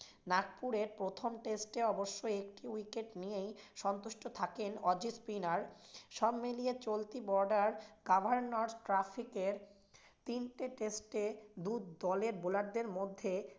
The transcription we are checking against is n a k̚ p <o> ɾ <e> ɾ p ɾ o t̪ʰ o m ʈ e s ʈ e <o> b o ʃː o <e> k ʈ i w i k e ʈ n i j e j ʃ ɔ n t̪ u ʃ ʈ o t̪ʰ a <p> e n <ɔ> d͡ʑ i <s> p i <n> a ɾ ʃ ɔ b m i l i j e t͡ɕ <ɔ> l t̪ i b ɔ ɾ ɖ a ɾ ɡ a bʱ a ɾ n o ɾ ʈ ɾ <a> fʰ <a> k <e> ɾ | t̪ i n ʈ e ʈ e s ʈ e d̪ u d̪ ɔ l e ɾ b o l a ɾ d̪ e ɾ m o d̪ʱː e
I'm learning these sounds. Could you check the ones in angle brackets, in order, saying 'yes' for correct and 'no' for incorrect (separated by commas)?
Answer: no, yes, no, yes, no, yes, yes, yes, no, yes, no, yes